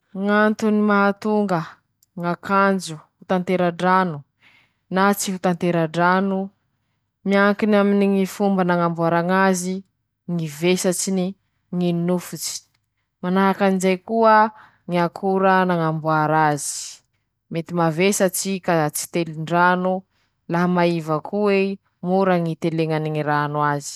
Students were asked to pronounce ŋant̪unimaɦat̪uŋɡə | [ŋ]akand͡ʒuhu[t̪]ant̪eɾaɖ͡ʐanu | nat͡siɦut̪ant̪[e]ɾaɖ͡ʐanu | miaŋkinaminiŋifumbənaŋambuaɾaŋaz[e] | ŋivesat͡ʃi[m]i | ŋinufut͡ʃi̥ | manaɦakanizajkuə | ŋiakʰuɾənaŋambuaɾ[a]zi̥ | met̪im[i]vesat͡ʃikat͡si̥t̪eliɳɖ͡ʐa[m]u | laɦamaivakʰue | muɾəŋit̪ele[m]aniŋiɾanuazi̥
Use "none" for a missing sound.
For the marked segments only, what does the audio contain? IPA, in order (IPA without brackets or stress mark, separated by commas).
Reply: ŋ, t̪, e, i, n, a, a, n, ŋ